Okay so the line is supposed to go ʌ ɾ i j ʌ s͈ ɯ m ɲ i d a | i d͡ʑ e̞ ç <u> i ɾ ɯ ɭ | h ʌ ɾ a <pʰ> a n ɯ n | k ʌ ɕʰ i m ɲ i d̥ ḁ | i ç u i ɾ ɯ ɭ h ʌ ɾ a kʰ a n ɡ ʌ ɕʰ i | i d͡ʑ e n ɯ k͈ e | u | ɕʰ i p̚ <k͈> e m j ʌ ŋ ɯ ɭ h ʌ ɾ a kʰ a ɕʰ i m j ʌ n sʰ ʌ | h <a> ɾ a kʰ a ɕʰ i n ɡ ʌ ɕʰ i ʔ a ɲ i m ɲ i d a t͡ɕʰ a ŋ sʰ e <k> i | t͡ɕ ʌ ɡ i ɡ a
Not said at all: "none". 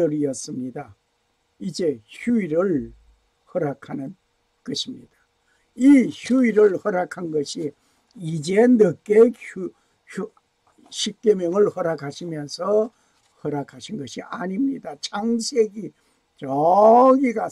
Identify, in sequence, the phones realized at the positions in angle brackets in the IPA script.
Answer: u, kʰ, k͈, ʌ, ɡ

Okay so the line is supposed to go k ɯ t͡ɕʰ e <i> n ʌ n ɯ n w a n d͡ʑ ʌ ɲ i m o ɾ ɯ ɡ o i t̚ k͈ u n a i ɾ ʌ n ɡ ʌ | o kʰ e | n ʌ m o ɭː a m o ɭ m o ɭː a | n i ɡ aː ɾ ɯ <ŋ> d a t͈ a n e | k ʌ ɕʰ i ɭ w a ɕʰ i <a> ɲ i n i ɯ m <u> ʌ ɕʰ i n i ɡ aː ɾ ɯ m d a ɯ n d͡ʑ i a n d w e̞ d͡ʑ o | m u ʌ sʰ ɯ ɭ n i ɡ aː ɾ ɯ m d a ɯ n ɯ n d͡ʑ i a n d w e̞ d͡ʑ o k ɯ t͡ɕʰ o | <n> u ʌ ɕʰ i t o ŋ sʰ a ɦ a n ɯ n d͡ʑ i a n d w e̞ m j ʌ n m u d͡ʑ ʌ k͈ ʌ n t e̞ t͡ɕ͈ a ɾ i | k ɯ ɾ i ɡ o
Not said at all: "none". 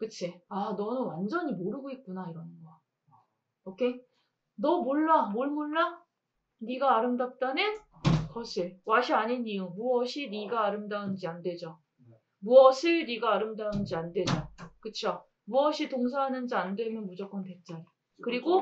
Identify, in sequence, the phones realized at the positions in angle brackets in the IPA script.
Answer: a, m, a, u, m

